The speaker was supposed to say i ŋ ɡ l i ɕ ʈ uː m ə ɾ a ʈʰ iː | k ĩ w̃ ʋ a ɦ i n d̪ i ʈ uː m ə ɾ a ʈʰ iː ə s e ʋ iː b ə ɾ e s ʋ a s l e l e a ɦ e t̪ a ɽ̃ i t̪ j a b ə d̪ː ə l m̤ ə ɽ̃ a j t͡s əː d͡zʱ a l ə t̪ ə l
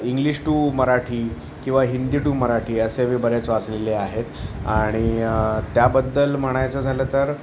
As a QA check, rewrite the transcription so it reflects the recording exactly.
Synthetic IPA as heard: i ŋ ɡ l i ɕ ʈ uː m ə ɾ a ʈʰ iː | k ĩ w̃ ʋ a ɦ i n d̪ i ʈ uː m ə ɾ a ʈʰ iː ə s e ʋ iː b ə ɾ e t͡s ʋ a t͡s l e l e a ɦ e t̪ a ɽ̃ i t̪ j a b ə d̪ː ə l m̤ ə ɽ̃ a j t͡s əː d͡zʱ a l ə t̪ ə ɾ